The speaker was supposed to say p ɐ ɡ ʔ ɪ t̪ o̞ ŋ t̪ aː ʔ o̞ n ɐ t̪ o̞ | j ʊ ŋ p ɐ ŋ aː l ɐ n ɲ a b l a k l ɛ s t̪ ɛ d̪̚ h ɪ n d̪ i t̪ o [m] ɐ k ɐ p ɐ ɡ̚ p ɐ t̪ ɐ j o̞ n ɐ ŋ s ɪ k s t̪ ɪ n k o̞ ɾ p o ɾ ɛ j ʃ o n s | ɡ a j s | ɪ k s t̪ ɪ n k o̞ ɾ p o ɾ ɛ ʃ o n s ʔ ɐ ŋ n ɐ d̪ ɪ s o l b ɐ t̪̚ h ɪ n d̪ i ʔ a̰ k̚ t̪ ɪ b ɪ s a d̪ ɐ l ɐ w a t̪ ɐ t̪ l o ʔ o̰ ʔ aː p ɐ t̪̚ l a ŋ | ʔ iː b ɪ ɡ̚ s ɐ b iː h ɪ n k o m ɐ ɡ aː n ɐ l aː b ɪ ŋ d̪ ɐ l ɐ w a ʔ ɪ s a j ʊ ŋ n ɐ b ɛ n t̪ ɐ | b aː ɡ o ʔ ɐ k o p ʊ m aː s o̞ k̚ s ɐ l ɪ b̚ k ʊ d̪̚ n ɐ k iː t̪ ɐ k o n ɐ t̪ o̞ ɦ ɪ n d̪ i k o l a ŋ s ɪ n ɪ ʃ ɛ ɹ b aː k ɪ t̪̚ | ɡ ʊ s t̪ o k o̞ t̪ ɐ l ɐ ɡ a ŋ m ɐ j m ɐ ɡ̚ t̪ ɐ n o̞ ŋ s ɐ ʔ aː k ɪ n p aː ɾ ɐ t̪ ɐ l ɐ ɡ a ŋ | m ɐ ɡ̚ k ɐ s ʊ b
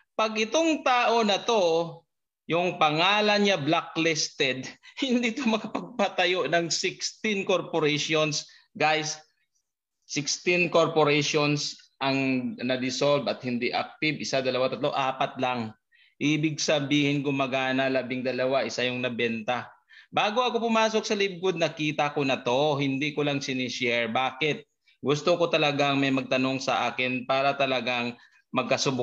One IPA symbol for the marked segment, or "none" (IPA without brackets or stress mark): m